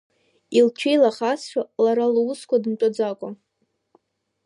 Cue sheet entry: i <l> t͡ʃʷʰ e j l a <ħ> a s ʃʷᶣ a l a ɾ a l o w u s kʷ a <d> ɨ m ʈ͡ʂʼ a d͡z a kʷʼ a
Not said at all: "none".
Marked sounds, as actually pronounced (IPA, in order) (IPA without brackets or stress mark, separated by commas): l, χ, d